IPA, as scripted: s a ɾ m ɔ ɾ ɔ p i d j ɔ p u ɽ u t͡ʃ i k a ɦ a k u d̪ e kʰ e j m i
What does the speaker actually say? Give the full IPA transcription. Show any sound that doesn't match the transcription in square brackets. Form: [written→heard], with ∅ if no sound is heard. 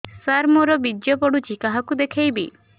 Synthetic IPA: s a ɾ m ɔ ɾ ɔ [p→b] i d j ɔ p [u→ɔ] ɽ u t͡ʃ i k a ɦ a k u d̪ e kʰ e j [m→b] i